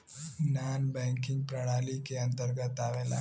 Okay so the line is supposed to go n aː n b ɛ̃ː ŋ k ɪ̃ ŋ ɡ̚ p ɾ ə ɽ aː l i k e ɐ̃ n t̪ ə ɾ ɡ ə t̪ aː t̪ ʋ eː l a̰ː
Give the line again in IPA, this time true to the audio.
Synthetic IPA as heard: n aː n b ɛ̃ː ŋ k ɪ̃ ŋ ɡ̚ p ɾ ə ɽ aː l i k e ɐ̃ n t̪ ə ɾ ɡ ə t̪ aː ʋ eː l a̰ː